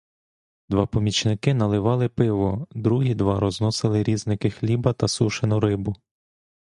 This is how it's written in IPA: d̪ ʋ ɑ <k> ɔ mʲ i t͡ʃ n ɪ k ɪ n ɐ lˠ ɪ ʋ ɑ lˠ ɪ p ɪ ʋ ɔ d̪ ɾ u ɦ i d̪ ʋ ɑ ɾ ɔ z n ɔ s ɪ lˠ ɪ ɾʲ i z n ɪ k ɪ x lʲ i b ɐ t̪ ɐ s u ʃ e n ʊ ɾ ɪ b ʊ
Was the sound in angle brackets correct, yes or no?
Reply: no